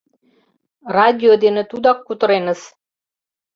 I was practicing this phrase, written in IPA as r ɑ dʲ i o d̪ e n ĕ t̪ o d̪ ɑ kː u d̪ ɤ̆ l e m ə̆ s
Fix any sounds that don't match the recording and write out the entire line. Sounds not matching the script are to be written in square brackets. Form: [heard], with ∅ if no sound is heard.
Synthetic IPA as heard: r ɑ dʲ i o d̪ e n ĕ t̪ [u] d̪ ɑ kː u [t̪] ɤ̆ [ɾ] e [n] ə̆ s